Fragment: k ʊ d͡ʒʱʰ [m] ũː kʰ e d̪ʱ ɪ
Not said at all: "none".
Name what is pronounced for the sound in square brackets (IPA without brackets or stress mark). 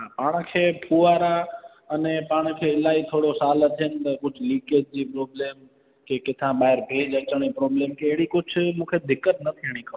m